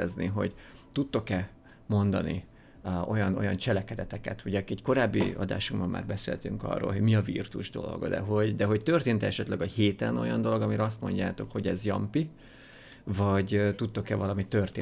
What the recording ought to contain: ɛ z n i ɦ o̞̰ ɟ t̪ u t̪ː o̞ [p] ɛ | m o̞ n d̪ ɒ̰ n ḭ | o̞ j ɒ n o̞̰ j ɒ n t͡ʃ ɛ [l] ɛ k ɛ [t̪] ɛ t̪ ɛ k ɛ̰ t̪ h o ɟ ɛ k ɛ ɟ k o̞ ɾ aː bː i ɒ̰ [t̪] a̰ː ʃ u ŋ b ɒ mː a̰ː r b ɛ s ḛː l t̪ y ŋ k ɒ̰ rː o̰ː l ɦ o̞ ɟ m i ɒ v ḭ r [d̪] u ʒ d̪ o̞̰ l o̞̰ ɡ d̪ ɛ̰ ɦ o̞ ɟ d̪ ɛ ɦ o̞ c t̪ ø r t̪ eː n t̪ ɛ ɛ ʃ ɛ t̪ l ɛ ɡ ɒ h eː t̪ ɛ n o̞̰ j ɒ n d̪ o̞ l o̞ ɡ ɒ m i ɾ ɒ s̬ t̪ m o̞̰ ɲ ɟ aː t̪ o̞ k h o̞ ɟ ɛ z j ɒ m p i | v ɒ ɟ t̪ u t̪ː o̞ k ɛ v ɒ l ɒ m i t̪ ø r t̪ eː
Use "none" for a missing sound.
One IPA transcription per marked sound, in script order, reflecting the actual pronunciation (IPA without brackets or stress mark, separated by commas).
k, l, d̪, d̪, t̪